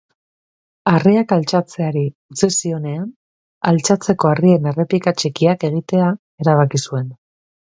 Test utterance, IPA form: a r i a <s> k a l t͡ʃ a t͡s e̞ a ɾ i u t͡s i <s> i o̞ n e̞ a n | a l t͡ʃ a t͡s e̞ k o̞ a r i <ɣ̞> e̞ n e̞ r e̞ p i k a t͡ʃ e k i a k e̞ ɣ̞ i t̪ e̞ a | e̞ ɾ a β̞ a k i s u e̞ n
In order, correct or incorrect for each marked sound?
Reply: incorrect, correct, incorrect

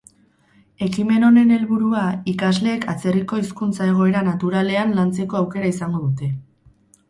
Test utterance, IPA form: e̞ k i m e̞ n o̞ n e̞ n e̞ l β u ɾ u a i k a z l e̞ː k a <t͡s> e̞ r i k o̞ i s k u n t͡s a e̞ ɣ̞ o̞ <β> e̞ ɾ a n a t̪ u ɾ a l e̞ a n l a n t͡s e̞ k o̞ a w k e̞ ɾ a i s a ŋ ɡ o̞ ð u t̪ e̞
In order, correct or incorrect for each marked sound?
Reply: correct, incorrect

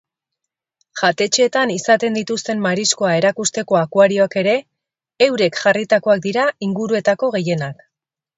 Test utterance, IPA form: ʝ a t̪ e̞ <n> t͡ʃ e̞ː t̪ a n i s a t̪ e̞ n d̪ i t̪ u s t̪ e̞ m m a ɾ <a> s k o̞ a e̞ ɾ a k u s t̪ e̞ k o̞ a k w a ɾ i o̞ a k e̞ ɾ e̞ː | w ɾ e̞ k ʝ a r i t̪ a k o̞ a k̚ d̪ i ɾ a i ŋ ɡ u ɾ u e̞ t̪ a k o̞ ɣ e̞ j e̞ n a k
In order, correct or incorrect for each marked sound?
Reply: incorrect, incorrect

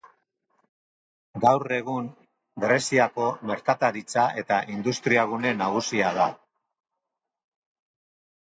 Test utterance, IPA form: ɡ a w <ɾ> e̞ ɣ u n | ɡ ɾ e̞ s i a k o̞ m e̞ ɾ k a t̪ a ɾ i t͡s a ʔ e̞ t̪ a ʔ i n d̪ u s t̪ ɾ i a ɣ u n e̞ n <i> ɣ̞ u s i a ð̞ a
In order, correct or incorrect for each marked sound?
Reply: incorrect, incorrect

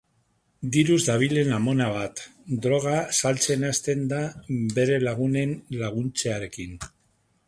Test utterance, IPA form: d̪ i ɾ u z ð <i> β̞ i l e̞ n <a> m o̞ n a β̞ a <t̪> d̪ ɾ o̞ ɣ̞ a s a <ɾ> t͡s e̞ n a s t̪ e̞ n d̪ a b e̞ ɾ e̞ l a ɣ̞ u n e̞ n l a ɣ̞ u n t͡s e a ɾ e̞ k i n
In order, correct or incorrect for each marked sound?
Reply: incorrect, correct, correct, incorrect

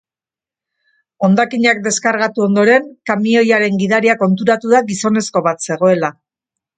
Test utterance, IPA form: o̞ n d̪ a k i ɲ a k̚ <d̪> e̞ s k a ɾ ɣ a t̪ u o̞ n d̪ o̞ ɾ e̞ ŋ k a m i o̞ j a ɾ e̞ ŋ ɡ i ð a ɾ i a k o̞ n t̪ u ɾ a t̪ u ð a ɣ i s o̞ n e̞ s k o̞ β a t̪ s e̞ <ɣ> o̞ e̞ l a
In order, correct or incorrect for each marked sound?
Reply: correct, correct

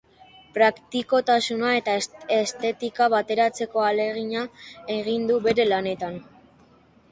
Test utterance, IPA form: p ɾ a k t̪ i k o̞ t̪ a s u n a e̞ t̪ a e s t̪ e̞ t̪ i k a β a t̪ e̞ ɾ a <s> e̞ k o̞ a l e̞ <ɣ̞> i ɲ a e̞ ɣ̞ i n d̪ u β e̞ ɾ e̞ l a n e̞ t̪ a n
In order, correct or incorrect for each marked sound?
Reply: incorrect, correct

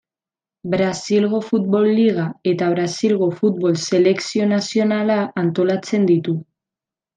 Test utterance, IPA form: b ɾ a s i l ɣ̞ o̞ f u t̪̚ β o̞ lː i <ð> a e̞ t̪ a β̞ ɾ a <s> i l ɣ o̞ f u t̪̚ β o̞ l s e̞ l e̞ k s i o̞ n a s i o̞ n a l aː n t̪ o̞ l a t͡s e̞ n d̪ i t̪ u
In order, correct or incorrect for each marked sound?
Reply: incorrect, correct

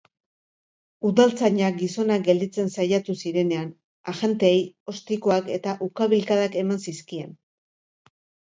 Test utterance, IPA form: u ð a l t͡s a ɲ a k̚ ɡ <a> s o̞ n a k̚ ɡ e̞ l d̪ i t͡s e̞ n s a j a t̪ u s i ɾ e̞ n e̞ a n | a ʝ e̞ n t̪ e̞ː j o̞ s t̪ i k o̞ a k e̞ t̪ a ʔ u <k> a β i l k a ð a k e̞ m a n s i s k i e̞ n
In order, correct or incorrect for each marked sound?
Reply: incorrect, correct

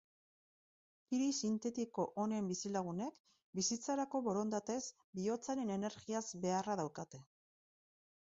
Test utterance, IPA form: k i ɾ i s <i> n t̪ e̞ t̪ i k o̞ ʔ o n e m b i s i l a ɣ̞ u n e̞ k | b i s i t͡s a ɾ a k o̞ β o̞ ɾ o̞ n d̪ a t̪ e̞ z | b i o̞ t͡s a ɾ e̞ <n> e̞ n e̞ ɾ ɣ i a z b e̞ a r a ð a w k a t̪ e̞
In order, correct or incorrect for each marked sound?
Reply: correct, correct

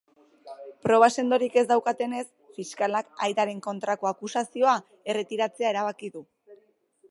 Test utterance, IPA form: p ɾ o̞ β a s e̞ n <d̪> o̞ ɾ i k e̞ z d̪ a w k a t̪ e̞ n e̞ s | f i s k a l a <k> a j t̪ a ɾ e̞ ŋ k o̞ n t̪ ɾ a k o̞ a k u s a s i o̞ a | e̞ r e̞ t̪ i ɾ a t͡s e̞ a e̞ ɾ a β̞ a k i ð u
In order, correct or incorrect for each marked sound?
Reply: correct, correct

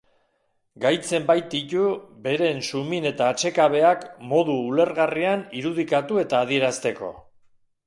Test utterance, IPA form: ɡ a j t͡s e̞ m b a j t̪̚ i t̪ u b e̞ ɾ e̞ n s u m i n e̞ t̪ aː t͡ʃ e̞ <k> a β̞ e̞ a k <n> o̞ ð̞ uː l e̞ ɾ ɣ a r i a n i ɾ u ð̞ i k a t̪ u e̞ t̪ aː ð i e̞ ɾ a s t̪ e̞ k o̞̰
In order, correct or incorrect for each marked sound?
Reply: correct, incorrect

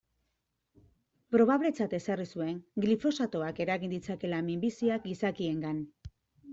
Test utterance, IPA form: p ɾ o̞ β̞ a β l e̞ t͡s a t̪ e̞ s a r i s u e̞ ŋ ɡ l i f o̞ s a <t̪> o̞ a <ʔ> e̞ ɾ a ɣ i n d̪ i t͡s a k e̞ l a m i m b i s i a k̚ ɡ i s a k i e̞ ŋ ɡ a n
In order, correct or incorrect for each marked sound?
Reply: correct, incorrect

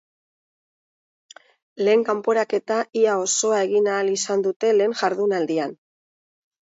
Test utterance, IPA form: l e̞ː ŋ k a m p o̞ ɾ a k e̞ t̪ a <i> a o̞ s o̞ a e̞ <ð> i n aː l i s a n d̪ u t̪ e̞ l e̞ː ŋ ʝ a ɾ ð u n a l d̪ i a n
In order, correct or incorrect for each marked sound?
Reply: correct, incorrect

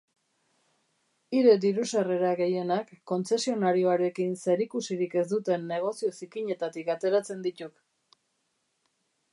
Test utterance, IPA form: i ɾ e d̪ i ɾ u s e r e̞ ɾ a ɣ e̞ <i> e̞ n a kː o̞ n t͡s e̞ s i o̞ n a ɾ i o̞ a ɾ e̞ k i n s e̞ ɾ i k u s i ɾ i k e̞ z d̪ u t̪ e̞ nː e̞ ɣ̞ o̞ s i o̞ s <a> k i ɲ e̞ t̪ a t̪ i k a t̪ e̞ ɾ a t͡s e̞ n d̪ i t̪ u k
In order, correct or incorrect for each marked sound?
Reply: incorrect, incorrect

